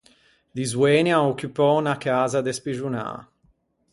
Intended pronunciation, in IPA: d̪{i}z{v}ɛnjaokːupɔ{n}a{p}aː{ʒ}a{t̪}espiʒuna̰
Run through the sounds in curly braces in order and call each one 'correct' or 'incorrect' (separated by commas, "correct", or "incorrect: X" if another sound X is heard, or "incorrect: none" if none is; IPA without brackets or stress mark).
correct, incorrect: w, correct, incorrect: k, incorrect: z, incorrect: d̪